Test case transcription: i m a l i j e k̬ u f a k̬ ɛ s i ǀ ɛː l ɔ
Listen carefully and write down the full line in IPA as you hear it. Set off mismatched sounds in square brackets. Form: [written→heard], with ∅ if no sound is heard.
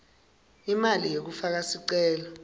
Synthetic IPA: i m a l i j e k̬ u f a k̬ [ɛ→a] s i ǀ ɛː l ɔ